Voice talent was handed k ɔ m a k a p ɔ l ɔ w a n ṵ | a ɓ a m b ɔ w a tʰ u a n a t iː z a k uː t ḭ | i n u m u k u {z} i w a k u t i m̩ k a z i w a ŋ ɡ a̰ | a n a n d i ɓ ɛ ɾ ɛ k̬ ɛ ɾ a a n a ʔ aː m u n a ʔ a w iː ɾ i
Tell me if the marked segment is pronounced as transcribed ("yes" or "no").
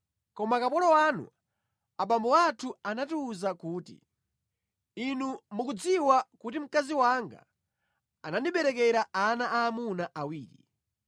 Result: no